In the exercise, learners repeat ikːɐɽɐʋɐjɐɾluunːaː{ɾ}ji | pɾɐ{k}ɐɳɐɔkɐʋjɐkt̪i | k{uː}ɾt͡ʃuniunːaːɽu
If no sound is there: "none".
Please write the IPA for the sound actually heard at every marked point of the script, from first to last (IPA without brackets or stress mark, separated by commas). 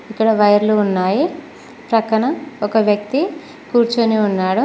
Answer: none, k, uː